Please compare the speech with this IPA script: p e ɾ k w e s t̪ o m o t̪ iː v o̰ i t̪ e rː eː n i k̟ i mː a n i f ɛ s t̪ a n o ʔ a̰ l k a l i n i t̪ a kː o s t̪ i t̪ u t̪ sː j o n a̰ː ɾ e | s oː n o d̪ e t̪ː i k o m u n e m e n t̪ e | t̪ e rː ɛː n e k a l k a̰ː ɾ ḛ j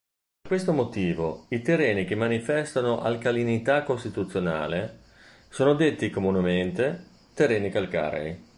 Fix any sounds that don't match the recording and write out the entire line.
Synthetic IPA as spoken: p e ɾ k w e s t̪ o m o t̪ iː v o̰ i t̪ e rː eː n i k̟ e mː a n i f ɛ s t̪ a n o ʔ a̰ l k a l i n i t̪ a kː o s t̪ i t̪ u t̪ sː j o n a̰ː l e | s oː n o d̪ e t̪ː i k o m u n e m e n t̪ e | t̪ e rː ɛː n i k a l k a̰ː ɾ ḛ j